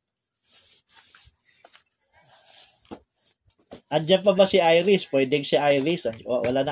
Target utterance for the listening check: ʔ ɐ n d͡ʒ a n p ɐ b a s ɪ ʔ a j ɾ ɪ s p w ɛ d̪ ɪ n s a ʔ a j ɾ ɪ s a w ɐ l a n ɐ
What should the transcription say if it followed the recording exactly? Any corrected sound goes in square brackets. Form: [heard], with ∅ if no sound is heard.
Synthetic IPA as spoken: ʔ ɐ n d͡ʒ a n p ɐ b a s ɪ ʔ a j ɾ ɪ s p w ɛ d̪ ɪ [ŋ] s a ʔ a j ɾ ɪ s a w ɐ l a n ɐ